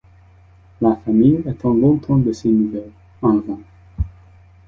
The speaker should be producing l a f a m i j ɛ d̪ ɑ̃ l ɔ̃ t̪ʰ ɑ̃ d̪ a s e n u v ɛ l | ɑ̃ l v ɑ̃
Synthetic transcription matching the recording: l a f a m i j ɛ t̪ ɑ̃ l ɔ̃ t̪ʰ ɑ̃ d̪ ə s e n u v ɛ l | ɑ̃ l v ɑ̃